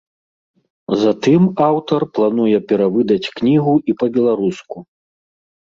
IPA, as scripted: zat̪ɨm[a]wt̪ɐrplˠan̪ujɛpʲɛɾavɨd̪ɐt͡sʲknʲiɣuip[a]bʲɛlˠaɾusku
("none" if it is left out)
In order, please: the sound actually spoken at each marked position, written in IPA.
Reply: a, ɐ

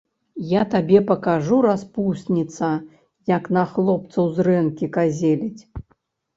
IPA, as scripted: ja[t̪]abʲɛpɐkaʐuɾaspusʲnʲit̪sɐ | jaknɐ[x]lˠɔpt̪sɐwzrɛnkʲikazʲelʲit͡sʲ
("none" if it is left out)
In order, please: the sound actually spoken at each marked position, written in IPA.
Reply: t̪, x

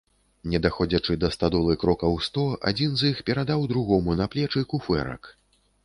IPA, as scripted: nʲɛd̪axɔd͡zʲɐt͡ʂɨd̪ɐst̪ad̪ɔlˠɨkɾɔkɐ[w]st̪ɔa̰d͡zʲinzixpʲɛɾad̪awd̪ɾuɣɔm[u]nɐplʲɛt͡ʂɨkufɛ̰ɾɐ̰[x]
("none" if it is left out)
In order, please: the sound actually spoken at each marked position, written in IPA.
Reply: w, u, k

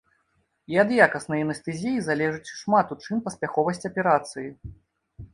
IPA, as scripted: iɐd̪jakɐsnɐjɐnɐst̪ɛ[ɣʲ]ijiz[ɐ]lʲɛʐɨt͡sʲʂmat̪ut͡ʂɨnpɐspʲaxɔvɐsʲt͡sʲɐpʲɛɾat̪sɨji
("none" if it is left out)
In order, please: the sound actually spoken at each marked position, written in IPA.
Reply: zʲ, a

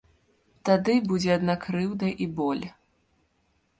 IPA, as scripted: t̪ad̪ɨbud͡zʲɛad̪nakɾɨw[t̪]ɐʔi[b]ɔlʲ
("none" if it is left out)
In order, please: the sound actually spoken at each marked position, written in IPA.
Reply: d̪, b

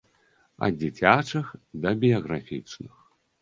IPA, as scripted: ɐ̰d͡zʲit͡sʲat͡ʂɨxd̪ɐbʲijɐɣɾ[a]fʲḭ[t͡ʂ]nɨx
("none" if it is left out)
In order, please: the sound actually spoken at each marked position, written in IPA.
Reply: a, t͡ʂ

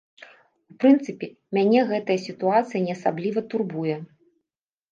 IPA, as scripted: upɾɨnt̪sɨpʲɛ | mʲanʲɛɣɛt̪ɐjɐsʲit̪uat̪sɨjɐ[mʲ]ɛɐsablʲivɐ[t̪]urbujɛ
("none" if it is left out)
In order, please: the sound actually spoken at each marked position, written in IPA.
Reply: nʲ, t̪

